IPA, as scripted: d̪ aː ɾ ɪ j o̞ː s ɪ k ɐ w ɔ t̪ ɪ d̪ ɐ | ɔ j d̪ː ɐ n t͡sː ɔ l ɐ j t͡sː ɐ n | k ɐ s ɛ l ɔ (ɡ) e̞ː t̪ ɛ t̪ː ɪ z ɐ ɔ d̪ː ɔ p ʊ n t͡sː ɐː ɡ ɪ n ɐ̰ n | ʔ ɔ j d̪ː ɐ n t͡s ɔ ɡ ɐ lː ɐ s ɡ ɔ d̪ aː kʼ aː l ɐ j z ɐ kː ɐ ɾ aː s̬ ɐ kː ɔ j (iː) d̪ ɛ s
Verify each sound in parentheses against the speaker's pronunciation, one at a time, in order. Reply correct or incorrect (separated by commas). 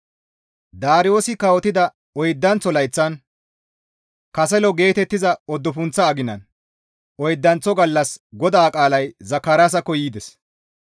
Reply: correct, correct